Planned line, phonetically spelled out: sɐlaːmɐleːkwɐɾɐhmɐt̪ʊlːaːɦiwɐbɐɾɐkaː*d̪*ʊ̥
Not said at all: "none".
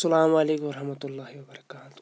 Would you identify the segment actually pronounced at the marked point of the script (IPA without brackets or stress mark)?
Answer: t̪